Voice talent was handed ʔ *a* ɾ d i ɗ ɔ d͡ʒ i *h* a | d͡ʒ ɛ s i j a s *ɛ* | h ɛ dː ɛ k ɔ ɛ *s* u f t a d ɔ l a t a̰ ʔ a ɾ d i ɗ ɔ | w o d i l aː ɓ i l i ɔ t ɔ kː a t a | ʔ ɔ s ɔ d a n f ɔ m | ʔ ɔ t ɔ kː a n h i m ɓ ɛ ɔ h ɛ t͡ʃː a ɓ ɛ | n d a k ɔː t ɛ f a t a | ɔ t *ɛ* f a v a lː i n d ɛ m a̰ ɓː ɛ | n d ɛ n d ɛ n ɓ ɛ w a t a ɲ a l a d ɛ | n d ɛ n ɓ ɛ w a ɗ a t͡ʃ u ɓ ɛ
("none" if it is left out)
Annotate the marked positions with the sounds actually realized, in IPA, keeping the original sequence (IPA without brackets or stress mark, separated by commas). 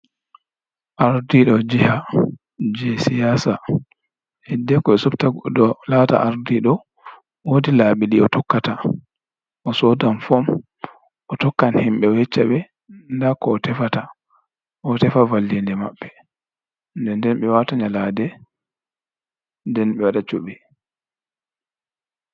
a, h, a, s, ɛ